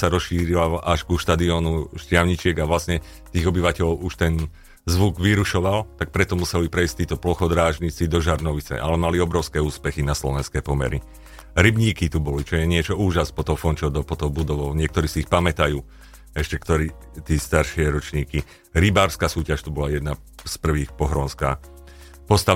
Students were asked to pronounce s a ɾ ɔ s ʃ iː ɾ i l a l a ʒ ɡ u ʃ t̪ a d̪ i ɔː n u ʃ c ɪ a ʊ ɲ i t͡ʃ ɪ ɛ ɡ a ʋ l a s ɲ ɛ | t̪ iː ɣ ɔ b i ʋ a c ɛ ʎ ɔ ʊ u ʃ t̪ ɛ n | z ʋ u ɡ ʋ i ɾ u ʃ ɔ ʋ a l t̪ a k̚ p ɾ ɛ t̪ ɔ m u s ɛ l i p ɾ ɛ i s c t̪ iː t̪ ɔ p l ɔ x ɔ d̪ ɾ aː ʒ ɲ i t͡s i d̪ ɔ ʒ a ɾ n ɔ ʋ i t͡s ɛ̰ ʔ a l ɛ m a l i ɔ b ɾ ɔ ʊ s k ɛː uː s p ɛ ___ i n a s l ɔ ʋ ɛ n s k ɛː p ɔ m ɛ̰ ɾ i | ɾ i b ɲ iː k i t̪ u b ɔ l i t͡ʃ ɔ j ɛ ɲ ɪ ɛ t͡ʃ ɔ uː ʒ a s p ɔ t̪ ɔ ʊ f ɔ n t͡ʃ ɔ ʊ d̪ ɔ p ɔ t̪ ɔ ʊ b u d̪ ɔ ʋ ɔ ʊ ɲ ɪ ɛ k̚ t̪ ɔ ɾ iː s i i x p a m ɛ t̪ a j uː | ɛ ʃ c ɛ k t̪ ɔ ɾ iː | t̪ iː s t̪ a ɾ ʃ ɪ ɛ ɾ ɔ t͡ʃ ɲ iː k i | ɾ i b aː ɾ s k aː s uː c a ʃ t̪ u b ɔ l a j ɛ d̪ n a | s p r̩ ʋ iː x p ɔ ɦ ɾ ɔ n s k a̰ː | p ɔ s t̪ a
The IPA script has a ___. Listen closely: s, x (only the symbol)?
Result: x